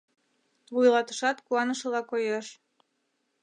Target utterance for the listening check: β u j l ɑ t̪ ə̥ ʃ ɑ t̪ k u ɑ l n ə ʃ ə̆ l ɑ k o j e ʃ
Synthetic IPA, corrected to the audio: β u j l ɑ t̪ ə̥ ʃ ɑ t̪ k u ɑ n ə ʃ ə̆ l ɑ k o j e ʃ